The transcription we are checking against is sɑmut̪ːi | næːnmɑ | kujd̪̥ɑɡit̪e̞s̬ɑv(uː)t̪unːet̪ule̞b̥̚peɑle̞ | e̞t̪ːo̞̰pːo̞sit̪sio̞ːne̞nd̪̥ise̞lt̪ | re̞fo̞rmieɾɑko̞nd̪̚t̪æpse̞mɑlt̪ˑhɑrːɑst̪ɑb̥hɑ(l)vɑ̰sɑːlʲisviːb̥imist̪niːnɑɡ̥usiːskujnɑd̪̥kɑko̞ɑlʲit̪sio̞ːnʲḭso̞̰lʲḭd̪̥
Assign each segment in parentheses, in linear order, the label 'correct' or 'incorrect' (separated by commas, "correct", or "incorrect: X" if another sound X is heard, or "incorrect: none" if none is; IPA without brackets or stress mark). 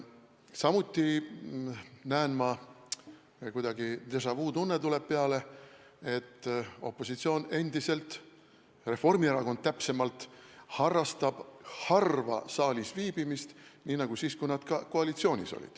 correct, incorrect: r